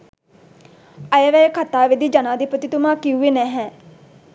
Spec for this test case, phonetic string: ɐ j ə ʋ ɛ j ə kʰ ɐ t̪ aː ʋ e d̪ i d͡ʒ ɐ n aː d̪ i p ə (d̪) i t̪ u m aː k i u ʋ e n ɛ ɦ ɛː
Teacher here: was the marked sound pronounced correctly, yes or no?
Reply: no